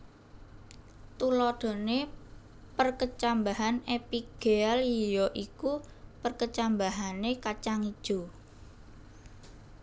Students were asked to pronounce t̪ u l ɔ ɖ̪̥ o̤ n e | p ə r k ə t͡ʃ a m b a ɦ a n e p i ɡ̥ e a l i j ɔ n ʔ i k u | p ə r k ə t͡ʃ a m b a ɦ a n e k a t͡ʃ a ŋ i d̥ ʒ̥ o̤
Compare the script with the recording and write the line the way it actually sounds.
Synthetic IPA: t̪ u l ɔ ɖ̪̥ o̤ n e | p ə r k ə t͡ʃ a m b a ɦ a n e p i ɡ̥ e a l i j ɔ ʔ i k u | p ə r k ə t͡ʃ a m b a ɦ a n e k a t͡ʃ a ŋ i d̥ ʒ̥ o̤